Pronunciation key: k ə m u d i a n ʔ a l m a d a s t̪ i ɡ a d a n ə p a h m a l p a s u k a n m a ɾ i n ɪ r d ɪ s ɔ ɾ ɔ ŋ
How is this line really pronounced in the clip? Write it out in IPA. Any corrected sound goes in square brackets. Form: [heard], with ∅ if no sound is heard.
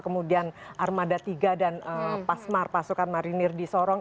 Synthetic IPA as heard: k ə m u d i a n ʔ a [r] m a d a [∅] t̪ i ɡ a d a n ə p a [s] m a [r] p a s u k a n m a ɾ i n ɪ r d [i] s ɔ ɾ ɔ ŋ